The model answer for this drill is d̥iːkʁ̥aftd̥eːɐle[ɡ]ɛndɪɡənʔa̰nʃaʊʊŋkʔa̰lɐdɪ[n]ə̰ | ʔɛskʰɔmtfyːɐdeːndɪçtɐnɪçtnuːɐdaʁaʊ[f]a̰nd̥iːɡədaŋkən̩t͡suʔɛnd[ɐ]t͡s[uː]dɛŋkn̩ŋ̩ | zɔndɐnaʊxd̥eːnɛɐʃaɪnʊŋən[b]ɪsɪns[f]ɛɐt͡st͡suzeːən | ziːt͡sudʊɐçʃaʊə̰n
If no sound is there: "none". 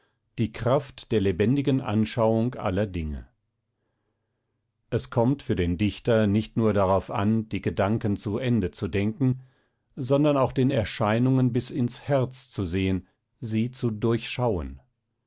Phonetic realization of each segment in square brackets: b, ŋ, f, ə, u, b, h

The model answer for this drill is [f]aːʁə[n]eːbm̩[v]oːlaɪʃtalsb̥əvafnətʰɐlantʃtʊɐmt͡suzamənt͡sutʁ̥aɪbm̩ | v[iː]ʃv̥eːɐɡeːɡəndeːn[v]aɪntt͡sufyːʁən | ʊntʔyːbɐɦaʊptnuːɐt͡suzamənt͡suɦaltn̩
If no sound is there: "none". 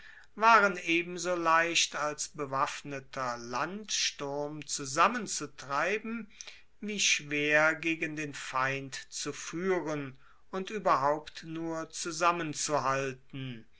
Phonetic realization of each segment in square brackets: v, n, z, iː, f

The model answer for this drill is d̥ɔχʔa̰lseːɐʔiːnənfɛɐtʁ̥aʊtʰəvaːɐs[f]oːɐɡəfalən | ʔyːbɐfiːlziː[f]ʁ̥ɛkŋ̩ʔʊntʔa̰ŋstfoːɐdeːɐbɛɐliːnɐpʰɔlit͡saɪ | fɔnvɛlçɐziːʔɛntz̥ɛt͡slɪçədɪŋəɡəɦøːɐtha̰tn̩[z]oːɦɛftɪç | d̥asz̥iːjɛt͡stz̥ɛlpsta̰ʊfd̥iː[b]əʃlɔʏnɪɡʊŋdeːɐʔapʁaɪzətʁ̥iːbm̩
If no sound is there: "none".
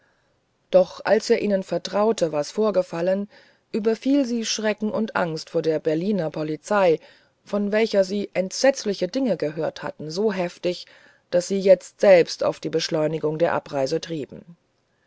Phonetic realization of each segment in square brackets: f, ʃ, z, b

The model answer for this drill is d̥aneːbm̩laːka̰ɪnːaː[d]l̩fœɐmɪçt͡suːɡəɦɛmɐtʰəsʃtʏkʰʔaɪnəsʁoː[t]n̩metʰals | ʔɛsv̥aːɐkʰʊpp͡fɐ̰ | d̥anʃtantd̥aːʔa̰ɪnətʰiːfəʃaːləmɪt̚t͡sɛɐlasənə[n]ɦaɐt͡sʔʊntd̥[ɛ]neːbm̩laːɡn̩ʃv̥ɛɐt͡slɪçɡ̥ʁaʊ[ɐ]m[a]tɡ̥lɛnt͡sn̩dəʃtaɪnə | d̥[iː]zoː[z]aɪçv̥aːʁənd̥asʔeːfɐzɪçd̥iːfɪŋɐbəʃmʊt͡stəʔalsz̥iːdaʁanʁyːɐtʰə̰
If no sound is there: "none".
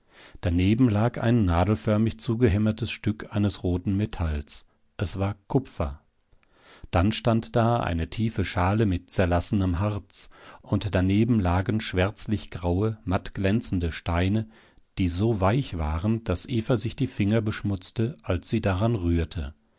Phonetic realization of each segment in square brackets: d, t, m, a, ə, a, iː, v

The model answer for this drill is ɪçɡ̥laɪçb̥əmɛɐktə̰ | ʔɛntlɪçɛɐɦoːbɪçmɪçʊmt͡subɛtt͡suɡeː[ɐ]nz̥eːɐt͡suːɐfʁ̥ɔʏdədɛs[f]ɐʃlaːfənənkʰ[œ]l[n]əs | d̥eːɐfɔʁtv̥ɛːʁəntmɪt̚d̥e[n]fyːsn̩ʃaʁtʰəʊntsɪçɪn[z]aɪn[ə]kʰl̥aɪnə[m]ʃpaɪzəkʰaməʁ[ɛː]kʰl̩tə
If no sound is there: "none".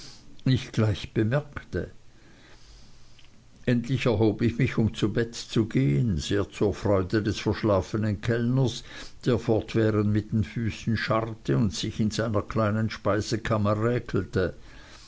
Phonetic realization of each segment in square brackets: ə, f, ɛ, n, n, z, ɐ, n, ɛː

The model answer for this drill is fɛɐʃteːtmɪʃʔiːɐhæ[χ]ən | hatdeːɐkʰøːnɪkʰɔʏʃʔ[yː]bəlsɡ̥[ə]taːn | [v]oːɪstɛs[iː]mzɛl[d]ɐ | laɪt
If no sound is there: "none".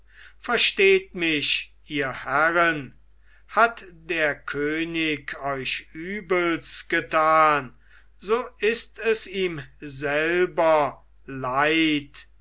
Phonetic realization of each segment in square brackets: ʁ, yː, ə, z, iː, b

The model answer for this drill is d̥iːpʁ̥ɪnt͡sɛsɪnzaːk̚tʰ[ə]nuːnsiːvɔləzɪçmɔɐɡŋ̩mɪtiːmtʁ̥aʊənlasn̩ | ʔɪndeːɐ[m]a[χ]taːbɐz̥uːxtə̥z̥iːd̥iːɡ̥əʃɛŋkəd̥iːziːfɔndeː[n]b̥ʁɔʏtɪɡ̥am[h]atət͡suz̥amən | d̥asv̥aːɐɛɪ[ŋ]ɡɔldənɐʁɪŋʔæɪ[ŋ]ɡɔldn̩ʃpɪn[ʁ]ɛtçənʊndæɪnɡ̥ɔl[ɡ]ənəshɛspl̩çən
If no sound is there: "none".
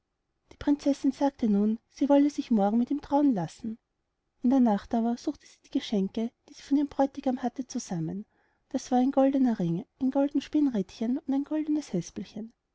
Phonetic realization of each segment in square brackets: ə, n, χ, m, h, n, n, ʁ, d

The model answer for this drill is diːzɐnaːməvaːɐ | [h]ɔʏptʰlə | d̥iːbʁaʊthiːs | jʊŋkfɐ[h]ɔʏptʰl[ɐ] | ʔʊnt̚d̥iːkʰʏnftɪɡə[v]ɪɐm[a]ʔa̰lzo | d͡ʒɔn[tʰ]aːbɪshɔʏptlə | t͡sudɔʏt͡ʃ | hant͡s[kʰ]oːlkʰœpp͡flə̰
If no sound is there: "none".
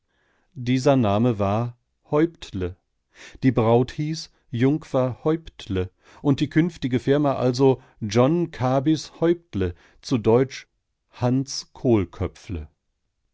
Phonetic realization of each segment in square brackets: h, h, ə, f, a, kʰ, kʰ

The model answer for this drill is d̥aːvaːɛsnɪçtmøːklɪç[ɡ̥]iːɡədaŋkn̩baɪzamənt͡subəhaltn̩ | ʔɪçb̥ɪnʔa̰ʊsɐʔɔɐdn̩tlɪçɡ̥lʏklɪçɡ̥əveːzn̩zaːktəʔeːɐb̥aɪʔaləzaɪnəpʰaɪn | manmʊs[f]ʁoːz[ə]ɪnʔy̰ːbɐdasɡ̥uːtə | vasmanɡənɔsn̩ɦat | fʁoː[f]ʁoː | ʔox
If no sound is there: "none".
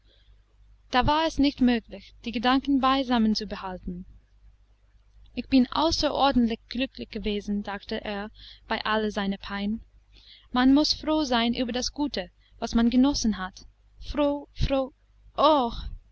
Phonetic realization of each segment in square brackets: d̥, f, a, f

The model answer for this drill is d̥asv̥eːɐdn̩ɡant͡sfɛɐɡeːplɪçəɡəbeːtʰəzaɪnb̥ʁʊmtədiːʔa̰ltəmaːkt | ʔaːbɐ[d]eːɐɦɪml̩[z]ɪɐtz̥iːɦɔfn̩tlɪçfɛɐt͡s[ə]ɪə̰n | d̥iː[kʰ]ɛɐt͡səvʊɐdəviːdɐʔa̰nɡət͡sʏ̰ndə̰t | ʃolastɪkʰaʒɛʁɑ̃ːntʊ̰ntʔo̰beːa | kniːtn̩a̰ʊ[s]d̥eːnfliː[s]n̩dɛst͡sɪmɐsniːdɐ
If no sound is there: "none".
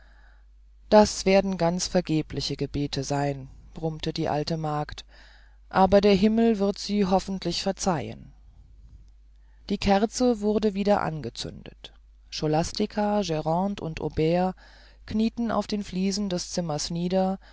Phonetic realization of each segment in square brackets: d, v, a, kʰ, f, z

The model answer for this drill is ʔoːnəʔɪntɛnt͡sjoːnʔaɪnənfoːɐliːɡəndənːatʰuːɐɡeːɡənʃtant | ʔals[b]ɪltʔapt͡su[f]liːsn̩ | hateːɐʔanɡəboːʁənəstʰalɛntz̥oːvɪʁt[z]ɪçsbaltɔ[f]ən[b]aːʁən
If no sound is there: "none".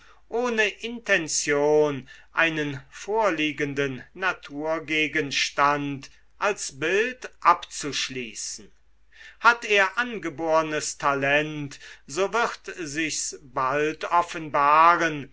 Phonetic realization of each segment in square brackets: b, ʃ, z, f, b

